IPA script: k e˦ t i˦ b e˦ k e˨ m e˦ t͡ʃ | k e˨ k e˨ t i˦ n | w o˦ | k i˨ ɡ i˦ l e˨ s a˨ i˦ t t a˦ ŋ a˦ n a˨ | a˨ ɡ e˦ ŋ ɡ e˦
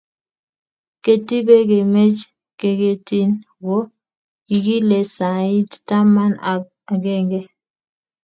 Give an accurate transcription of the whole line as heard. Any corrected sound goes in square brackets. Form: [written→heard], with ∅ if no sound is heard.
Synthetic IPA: k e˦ t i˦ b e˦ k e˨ m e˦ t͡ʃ | k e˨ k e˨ t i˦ n | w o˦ | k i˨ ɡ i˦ l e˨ s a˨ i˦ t t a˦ [ŋ→m] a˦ n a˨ | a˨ ɡ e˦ ŋ ɡ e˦